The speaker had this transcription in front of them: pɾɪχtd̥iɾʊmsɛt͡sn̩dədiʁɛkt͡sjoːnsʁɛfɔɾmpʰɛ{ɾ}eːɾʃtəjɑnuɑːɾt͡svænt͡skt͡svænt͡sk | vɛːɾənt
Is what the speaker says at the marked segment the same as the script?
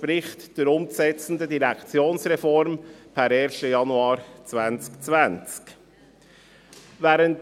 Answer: yes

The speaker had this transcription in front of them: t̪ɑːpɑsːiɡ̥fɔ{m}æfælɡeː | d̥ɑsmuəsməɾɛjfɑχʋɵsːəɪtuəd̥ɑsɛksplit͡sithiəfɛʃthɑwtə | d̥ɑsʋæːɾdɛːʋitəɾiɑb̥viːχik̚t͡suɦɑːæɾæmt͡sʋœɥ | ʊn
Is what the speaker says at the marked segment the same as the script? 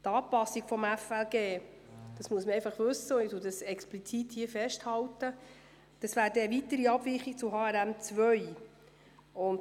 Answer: yes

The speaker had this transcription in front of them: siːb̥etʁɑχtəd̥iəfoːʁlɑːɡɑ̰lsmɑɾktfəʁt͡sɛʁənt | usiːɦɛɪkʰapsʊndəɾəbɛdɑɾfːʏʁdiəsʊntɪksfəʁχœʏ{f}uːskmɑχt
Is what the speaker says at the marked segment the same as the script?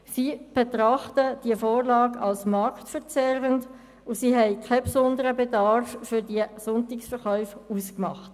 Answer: yes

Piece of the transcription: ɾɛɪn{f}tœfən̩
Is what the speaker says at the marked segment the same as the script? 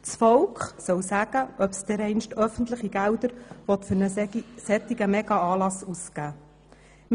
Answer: no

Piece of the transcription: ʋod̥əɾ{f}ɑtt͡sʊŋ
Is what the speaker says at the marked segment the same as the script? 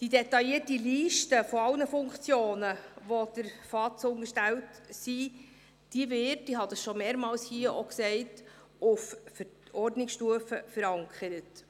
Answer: yes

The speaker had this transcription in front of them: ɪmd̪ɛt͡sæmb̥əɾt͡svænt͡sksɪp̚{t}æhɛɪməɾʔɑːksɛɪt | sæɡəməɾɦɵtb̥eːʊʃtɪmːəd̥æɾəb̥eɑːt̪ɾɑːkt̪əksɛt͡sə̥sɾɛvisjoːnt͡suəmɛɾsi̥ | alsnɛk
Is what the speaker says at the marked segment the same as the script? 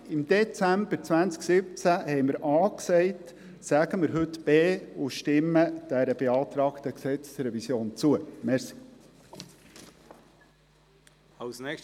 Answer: no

